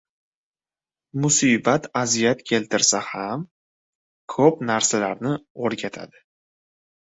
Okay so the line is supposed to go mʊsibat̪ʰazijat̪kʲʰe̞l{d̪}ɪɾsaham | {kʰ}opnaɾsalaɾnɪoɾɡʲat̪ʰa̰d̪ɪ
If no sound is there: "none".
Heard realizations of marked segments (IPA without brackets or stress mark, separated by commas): t̪, kʰ